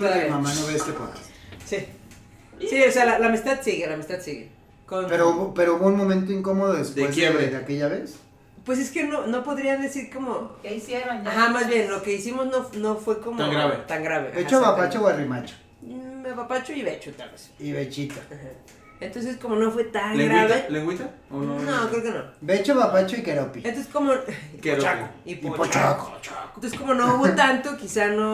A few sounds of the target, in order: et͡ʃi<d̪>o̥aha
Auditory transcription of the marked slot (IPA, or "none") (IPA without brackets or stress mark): t̪